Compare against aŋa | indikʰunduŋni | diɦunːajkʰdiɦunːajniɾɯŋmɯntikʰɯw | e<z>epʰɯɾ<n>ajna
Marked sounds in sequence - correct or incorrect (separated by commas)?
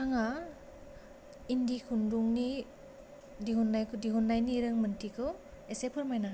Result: incorrect, incorrect